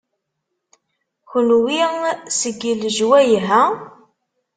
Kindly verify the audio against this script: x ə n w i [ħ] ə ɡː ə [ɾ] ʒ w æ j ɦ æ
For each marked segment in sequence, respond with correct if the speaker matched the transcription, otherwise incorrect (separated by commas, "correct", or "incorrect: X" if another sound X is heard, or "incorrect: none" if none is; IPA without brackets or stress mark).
incorrect: s, incorrect: l